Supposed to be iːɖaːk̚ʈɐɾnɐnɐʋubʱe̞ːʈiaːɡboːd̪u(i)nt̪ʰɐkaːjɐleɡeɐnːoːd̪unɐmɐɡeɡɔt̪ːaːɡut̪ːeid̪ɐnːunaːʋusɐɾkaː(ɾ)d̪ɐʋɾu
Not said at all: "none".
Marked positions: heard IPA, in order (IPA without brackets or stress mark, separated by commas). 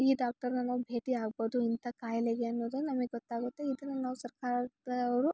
i, ɾ